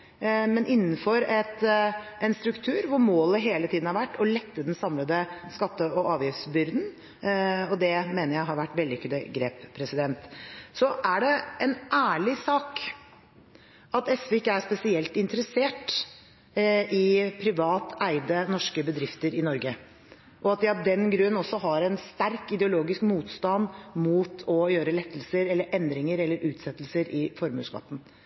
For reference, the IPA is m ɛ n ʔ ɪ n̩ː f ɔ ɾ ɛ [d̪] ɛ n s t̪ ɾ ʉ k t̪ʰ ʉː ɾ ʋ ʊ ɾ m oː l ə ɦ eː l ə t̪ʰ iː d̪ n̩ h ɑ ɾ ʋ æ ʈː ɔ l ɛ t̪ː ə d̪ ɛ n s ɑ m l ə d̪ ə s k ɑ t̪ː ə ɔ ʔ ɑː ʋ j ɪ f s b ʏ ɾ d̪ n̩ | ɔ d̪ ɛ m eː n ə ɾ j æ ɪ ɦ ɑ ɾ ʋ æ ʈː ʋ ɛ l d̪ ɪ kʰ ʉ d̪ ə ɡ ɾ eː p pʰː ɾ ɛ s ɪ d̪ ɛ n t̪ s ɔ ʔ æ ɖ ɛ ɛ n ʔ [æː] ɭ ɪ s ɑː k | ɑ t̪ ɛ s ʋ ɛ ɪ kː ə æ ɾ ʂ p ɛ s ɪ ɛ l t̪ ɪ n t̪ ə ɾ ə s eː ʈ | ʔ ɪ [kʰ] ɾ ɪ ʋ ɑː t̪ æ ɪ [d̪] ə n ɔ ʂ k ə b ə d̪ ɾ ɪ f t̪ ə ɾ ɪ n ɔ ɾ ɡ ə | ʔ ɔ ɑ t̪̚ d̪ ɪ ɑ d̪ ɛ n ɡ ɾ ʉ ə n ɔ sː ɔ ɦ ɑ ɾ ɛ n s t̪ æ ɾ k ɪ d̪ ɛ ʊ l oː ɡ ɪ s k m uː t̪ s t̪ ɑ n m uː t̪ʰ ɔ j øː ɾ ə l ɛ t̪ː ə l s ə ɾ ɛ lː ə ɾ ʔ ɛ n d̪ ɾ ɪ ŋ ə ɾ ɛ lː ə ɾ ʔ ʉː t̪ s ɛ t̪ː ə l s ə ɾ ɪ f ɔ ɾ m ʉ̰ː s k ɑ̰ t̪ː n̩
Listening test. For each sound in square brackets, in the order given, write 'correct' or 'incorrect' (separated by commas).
incorrect, correct, incorrect, correct